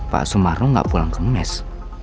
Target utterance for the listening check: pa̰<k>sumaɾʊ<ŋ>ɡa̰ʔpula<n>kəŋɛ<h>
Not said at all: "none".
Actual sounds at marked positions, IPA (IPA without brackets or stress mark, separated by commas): ʔ, ŋ, ŋ, s